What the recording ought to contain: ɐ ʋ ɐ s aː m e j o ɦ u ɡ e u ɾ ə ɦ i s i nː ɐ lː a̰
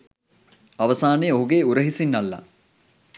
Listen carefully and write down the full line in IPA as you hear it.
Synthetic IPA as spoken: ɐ ʋ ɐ s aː n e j o ɦ u ɡ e u ɾ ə ɦ i s i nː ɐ lː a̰